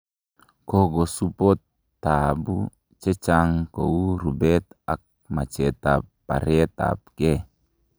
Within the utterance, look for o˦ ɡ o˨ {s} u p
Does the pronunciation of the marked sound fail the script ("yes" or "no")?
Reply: no